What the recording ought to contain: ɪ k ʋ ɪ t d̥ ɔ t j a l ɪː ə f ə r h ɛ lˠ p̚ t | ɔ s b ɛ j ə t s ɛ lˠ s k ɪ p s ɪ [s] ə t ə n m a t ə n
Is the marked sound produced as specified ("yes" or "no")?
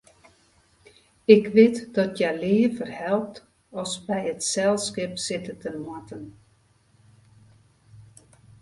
no